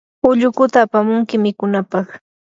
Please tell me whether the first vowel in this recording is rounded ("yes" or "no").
yes